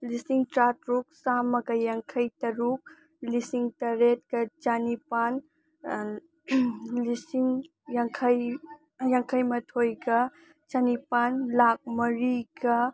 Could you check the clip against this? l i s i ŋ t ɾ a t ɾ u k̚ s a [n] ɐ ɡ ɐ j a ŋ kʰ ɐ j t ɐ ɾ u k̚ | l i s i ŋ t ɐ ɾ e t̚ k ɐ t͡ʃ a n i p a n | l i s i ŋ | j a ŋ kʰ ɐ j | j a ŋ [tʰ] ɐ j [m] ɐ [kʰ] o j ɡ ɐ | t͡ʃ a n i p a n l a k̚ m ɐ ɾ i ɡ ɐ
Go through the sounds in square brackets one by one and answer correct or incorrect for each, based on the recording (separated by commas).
incorrect, incorrect, correct, incorrect